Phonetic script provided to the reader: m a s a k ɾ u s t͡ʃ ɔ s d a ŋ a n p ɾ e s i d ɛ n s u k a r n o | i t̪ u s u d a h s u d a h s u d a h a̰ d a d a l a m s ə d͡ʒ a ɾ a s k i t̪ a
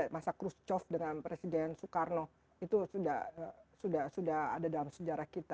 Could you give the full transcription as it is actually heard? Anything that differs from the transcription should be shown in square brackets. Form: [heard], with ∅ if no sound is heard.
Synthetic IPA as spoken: m a s a k ɾ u s t͡ʃ ɔ [f] d [ə] ŋ a n p ɾ e s i d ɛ n s u k a r n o | i t̪ u s u d a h s u d a h s u d a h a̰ d a d a l a m s ə d͡ʒ a ɾ a [h] k i t̪ a